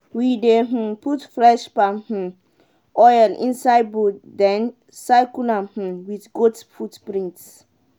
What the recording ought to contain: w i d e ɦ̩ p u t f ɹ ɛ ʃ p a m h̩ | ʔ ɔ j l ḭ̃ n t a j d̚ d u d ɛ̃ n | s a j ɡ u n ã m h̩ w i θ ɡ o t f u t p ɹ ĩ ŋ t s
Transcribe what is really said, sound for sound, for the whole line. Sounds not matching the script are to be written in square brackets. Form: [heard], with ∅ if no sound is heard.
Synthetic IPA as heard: w i d e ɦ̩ p u t f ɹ ɛ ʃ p a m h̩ | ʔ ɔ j l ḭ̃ n [s] a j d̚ [b] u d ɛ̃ n | s a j [k] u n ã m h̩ w i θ ɡ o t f u t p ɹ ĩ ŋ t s